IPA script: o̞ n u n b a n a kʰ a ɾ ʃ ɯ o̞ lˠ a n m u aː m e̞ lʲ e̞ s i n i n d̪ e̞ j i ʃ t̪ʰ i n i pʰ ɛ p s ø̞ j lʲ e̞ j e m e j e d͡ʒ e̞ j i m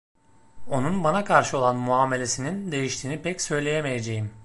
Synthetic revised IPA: o̞ n u n b a n a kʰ a ɾ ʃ ɯ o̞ lˠ a n m u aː m e̞ lʲ e̞ s i n i n d̪ e̞ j i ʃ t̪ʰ iː n i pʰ ɛ c s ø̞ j lʲ e̞ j e m e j e d͡ʒ e̞ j i m